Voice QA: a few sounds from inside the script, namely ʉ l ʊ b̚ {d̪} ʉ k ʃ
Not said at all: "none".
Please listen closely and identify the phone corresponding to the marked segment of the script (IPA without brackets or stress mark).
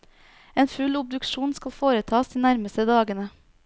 d̪